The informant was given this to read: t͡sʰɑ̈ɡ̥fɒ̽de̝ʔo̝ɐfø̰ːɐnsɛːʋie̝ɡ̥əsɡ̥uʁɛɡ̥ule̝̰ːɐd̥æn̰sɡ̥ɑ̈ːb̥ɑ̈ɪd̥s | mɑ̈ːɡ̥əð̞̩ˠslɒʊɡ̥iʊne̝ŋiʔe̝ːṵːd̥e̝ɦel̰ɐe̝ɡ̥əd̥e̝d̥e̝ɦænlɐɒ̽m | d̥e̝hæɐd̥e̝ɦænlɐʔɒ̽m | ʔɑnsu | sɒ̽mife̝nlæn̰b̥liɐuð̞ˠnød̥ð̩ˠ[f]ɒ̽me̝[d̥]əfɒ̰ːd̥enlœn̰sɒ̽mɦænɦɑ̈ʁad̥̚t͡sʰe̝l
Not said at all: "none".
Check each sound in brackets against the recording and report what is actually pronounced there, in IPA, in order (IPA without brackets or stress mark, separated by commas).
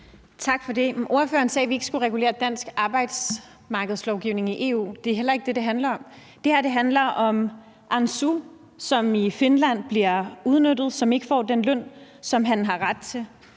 s, ɡ̥